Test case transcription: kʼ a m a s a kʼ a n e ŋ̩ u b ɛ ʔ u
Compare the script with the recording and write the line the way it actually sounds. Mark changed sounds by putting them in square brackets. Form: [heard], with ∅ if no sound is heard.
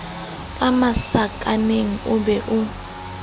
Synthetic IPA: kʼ a m a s a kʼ a n e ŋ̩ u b ɛ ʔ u